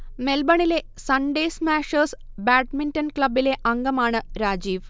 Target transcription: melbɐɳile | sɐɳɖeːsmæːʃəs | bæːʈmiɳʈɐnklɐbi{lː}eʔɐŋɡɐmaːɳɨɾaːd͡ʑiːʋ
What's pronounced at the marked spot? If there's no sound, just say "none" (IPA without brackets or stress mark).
l